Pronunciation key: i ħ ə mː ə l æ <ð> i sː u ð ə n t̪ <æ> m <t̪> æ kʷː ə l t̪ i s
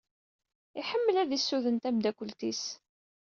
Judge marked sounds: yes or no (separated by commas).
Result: yes, yes, no